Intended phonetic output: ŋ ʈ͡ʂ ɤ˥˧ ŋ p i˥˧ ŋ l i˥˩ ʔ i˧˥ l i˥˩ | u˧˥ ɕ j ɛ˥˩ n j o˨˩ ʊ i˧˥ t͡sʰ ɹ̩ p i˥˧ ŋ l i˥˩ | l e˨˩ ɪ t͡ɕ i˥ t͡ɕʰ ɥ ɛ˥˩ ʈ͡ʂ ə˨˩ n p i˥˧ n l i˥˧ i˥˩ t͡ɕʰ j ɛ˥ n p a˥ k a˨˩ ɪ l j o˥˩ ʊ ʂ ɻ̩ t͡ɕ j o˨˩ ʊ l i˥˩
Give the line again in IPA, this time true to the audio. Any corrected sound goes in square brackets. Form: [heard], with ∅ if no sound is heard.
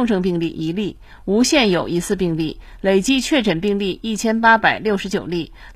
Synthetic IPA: ŋ ʈ͡ʂ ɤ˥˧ ŋ p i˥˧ ŋ l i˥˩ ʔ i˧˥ l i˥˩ | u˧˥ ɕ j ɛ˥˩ n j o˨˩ ʊ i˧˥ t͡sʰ ɹ̩ p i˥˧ ŋ l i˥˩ | l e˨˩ ɪ t͡ɕ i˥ t͡ɕʰ ɥ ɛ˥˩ ʈ͡ʂ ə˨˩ n p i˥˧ [ŋ] l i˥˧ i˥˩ t͡ɕʰ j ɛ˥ n p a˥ [p] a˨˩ ɪ l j o˥˩ ʊ ʂ ɻ̩ t͡ɕ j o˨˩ ʊ l i˥˩